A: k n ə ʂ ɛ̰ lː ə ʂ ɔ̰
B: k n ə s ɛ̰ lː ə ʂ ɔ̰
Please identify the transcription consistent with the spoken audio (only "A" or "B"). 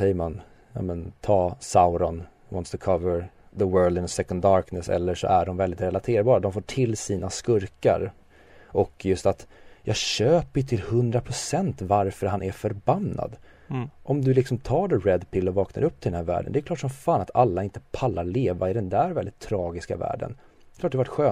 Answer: B